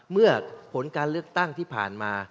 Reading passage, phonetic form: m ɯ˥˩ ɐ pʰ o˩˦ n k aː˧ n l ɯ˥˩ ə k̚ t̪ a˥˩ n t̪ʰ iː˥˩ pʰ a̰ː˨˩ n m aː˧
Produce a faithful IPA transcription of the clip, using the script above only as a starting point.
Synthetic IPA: m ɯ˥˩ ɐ pʰ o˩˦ n k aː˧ n l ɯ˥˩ ə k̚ t̪ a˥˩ ŋ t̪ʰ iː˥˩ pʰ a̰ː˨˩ n m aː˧

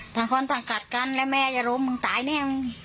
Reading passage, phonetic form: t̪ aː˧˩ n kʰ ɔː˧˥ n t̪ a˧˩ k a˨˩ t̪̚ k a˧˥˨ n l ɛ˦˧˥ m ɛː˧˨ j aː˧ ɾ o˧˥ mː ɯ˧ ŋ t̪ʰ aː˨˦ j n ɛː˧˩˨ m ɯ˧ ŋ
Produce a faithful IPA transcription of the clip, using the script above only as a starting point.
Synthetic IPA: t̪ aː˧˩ ŋ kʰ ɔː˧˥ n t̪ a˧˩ k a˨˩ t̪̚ k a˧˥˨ n l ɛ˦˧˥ m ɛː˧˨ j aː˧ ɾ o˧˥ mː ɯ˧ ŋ t̪ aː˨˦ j n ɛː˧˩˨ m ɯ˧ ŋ

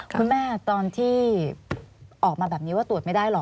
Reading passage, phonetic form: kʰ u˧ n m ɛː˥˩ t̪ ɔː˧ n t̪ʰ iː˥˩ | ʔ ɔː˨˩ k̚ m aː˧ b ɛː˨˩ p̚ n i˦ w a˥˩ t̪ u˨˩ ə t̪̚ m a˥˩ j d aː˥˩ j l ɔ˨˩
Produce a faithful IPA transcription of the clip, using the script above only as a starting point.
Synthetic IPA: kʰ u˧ n m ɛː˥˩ t̪ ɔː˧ n t̪ʰ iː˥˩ | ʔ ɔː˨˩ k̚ m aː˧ b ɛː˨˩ p̚ n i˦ w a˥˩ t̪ u˨˩ ə t̪̚ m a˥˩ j d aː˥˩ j l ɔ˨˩

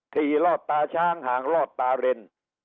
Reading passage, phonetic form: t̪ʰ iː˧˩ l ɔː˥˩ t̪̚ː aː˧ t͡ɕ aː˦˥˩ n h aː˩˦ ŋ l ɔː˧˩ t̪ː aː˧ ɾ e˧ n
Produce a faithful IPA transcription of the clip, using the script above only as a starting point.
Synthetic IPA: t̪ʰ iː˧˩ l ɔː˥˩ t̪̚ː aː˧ t͡ɕʰ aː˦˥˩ ŋ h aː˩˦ ŋ l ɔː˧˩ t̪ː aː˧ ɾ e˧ n

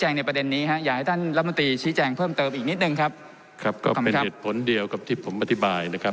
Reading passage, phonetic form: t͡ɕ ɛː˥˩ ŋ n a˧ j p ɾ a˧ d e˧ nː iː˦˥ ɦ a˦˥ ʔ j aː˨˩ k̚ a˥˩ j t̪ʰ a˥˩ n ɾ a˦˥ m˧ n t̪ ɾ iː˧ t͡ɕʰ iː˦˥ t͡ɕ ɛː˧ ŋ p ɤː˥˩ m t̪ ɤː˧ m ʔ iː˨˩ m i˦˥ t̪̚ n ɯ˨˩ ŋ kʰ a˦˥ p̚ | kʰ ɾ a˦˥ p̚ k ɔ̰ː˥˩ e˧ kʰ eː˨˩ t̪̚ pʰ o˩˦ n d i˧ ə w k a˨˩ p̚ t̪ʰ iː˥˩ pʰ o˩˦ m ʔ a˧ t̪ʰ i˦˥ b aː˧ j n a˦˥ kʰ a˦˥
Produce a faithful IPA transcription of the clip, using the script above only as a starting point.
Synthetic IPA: t͡ɕ ɛː˧ ŋ n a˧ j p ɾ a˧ d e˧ nː iː˦˥ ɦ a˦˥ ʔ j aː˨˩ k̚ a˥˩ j t̪ʰ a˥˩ n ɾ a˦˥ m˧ n t̪ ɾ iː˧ t͡ɕʰ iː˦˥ t͡ɕ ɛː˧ ŋ pʰ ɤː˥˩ m t̪ ɤː˧ m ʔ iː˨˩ n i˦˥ t̪̚ n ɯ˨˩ ŋ kʰ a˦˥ p̚ | kʰ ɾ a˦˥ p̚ k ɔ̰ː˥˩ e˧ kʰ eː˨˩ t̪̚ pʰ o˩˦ n d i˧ ə w k a˨˩ p̚ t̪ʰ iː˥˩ pʰ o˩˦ m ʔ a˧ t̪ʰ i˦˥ b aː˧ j n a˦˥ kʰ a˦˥

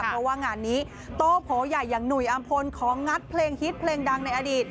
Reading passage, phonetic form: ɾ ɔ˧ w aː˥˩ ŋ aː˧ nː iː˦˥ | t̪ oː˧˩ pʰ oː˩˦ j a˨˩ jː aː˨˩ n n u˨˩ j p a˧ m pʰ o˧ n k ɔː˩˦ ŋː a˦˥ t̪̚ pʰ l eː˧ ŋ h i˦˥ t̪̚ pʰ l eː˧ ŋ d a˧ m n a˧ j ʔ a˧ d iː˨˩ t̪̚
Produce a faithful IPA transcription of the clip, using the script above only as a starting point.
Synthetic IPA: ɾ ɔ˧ w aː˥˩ ŋ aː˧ nː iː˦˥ | t̪ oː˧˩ pʰ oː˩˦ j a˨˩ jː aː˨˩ ŋ n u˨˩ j ʔ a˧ m pʰ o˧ n kʰ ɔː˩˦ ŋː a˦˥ t̪̚ pʰ l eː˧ ŋ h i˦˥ t̪̚ pʰ l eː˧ ŋ d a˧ ŋ n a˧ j ʔ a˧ d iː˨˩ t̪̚

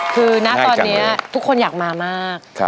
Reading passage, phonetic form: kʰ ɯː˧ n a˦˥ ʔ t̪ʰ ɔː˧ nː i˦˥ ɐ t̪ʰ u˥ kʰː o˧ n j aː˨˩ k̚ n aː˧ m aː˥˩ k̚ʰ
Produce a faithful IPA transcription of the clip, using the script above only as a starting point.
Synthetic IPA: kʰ ɯː˧ n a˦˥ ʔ t̪ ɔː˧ nː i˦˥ ɐ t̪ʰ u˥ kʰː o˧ n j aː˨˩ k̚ m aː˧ m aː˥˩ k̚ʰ

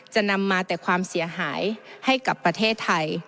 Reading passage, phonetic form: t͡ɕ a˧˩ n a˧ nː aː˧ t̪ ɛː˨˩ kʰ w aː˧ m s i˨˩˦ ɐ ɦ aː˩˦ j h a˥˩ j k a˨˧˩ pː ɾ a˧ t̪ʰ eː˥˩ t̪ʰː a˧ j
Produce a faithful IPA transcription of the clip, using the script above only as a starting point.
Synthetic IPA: t͡ɕ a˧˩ n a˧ mː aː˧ t̪ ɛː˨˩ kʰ w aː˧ m s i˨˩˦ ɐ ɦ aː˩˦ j h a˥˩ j k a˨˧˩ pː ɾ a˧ t̪ʰ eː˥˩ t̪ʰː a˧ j

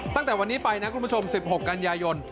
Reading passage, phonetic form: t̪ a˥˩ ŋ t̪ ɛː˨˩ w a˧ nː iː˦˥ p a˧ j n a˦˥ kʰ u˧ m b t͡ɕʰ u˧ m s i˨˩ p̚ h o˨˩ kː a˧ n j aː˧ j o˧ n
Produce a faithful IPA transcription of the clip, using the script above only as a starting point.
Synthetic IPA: t̪ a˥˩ ŋ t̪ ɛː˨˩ w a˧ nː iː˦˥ p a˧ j n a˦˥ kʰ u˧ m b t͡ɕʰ o˧ m s i˨˩ p̚ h o˨˩ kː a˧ n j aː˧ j o˧ n

